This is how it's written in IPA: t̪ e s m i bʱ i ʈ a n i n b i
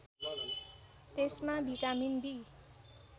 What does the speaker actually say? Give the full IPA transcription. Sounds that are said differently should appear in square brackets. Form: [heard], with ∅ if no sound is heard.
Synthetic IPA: t̪ e s m [a] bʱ i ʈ a [m] i n b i